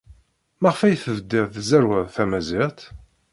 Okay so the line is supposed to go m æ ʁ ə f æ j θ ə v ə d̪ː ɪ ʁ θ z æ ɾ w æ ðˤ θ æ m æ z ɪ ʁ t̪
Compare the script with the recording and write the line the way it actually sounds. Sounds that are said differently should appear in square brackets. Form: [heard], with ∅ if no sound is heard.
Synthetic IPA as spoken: m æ ʁ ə f æ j θ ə v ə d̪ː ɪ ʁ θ z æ ɾ w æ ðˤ θ æ m æ z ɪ ʁ t̪